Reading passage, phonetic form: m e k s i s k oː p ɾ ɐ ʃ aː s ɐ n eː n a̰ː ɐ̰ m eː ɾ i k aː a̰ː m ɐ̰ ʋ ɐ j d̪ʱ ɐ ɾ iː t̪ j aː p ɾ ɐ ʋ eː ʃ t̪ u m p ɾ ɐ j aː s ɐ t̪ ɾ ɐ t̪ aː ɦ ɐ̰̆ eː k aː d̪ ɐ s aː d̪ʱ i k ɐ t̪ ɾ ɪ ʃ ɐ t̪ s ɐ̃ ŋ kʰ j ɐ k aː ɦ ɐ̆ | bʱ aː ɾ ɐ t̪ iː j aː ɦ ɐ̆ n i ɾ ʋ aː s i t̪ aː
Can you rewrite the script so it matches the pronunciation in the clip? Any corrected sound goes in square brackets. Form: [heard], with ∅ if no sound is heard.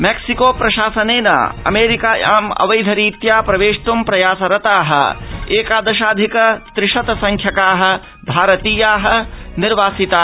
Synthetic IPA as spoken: m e k s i [∅] k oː p ɾ ɐ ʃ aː s ɐ n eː n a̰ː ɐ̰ m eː ɾ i k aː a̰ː m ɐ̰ ʋ ɐ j d̪ʱ ɐ ɾ iː t̪ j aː p ɾ ɐ ʋ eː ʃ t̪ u m p ɾ ɐ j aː s ɐ [∅] ɾ ɐ t̪ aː ɦ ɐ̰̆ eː k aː d̪ ɐ [ʃ] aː d̪ʱ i k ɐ t̪ ɾ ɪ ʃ ɐ t̪ s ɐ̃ ŋ kʰ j ɐ k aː ɦ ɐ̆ | bʱ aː ɾ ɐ t̪ iː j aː ɦ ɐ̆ n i ɾ ʋ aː s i t̪ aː

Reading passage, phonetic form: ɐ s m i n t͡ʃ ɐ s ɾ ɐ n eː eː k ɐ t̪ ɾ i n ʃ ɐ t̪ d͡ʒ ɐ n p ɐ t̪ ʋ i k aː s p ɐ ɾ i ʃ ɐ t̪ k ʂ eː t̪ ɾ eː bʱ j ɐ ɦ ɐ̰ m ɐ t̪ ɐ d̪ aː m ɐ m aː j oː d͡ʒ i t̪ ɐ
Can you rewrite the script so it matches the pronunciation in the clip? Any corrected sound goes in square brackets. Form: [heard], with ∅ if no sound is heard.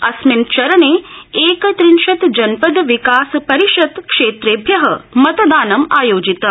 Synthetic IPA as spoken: ɐ s m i n t͡ʃ ɐ [∅] ɾ ɐ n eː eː k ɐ t̪ ɾ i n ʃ ɐ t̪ d͡ʒ ɐ n p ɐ [d̪] ʋ i k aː s p ɐ ɾ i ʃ ɐ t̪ k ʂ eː t̪ ɾ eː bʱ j ɐ ɦ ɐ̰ m ɐ t̪ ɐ d̪ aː [n] ɐ m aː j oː d͡ʒ i t̪ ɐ

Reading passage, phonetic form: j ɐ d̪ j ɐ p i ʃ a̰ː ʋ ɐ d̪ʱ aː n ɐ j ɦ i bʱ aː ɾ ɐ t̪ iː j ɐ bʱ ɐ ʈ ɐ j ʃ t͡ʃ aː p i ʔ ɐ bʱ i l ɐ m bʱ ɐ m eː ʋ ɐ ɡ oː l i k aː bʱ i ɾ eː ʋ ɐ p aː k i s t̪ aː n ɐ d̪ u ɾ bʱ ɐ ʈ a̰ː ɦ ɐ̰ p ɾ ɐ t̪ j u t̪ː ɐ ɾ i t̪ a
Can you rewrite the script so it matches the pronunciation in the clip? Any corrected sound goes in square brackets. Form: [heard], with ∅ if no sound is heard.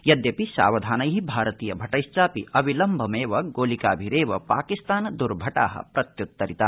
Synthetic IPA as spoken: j ɐ d̪ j ɐ p i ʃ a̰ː ʋ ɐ d̪ʱ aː n ɐ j ɦ i bʱ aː ɾ ɐ t̪ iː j ɐ bʱ ɐ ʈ ɐ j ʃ t͡ʃ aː p i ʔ ɐ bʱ i l ɐ m bʱ ɐ m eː ʋ ɐ ɡ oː l i k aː bʱ i ɾ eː ʋ ɐ p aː k i s t̪ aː n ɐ d̪ u ɾ bʱ ɐ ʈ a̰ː ɦ ɐ̰ p ɾ ɐ t̪ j u t̪ː ɐ ɾ i t̪ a

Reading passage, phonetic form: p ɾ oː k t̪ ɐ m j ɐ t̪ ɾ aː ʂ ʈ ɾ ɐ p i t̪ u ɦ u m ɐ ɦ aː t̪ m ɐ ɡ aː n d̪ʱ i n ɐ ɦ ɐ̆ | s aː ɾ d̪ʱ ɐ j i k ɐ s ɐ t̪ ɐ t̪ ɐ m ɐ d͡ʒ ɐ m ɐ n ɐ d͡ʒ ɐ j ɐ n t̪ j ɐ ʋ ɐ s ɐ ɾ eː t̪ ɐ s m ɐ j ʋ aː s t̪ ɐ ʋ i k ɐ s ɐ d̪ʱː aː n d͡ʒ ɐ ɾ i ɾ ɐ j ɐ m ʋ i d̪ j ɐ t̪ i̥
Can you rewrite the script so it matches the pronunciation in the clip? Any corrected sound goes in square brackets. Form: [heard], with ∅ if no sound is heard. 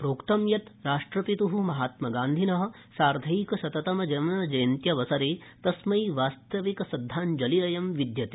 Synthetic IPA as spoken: p ɾ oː k t̪ ɐ m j ɐ t̪ ɾ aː ʂ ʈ ɾ ɐ p i t̪ u ɦ u m ɐ ɦ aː t̪ m ɐ ɡ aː n d̪ʱ i n ɐ ɦ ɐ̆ | s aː ɾ d̪ʱ ɐ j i k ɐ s ɐ t̪ ɐ t̪ ɐ m ɐ d͡ʒ ɐ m ɐ n ɐ d͡ʒ ɐ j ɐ n t̪ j ɐ ʋ ɐ s ɐ ɾ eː t̪ ɐ s m ɐ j ʋ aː s t̪ ɐ ʋ i k ɐ s ɐ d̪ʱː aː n d͡ʒ ɐ [l] i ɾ ɐ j ɐ m ʋ i d̪ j ɐ t̪ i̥

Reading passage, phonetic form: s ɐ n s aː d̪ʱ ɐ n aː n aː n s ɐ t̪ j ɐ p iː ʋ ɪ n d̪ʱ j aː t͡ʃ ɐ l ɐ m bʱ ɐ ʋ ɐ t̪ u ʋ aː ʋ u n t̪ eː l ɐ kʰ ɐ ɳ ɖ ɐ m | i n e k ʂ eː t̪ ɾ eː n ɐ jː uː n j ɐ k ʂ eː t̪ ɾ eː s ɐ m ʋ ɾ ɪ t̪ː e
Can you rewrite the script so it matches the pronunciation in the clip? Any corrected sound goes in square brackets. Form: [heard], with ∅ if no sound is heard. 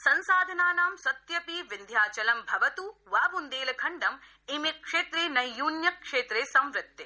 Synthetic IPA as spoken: s ɐ n s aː d̪ʱ ɐ n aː n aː [m] s ɐ t̪ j ɐ p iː ʋ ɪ n d̪ʱ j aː t͡ʃ ɐ l ɐ m bʱ ɐ ʋ ɐ t̪ u ʋ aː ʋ u n [d̪] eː l ɐ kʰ ɐ ɳ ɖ ɐ m | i [m] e k ʂ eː t̪ ɾ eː n ɐ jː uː n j ɐ k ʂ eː t̪ ɾ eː s ɐ m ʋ ɾ ɪ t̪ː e

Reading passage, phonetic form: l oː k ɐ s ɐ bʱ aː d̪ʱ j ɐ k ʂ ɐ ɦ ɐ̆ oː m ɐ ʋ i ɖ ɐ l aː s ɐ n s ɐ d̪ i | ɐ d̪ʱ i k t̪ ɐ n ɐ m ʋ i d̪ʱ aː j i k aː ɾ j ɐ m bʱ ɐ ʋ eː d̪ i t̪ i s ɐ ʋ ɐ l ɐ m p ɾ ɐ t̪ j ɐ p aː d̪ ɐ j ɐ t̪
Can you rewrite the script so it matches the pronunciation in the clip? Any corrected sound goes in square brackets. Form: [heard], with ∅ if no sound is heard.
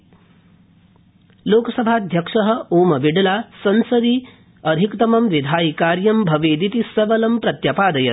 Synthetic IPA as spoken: l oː k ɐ s ɐ bʱ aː d̪ʱ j ɐ k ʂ ɐ ɦ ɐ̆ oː m ɐ ʋ i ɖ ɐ l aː s ɐ n s ɐ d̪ i | ɐ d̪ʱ i k t̪ ɐ [m] ɐ m ʋ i d̪ʱ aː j i k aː ɾ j ɐ m bʱ ɐ ʋ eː d̪ i t̪ i s ɐ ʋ ɐ l ɐ m p ɾ ɐ t̪ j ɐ p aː d̪ ɐ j ɐ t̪

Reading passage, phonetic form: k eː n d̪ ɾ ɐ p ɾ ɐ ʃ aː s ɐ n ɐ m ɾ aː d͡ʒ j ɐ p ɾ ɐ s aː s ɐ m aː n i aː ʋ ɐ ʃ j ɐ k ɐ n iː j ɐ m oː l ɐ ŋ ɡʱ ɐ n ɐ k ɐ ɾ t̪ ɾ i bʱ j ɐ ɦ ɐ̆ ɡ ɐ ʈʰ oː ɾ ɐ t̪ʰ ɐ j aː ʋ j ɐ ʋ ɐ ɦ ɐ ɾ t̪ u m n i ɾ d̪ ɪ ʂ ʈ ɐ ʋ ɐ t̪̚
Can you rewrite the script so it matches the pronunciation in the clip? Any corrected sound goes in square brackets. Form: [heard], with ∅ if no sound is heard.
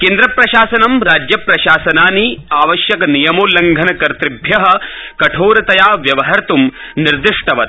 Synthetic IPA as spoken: k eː n d̪ ɾ ɐ p ɾ ɐ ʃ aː s ɐ n ɐ m ɾ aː d͡ʒ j ɐ p ɾ ɐ [ʃ] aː s ɐ [n] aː n i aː ʋ ɐ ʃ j ɐ k ɐ n [i] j ɐ m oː l ɐ ŋ ɡʱ ɐ n ɐ k ɐ ɾ t̪ ɾ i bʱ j ɐ ɦ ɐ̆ [k] ɐ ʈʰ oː ɾ ɐ [t̪] ɐ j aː ʋ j ɐ ʋ ɐ ɦ ɐ ɾ t̪ u m n i ɾ d̪ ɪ ʂ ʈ ɐ ʋ ɐ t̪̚

